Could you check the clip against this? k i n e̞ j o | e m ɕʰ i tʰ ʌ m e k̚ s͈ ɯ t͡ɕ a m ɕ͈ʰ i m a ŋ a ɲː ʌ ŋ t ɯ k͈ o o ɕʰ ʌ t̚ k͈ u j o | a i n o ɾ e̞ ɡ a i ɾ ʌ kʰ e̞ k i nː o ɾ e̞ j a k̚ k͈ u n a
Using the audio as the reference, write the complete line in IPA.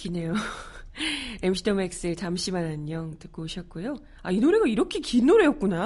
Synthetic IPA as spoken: k i n e̞ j o | e m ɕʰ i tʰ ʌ m e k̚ s͈ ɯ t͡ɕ a m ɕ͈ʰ i m a n a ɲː ʌ ŋ t ɯ k͈ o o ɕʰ ʌ t̚ k͈ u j o | a i n o ɾ e̞ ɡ a i ɾ ʌ kʰ e̞ k i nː o ɾ e̞ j ʌ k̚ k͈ u n a